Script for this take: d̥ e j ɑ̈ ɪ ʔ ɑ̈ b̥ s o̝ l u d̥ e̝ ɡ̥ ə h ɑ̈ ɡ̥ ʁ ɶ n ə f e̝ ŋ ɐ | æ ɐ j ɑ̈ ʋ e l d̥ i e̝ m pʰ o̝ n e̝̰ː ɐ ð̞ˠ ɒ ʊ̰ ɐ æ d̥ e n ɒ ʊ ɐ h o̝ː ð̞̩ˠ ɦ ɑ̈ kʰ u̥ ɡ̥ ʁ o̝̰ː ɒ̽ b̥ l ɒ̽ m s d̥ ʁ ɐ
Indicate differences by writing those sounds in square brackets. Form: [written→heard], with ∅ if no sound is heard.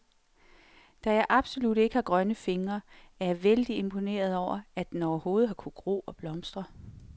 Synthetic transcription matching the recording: d̥ [e→æ] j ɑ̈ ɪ ʔ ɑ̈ b̥ s o̝ l u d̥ e̝ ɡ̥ ə h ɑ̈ ɡ̥ ʁ ɶ n ə f e̝ ŋ ɐ | æ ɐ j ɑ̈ ʋ e l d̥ i e̝ m pʰ o̝ n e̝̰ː ɐ ð̞ˠ ɒ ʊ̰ ɐ æ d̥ e n ɒ ʊ ɐ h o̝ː ð̞̩ˠ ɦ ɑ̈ kʰ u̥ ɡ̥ ʁ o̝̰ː ɒ̽ b̥ l ɒ̽ m s d̥ ʁ ɐ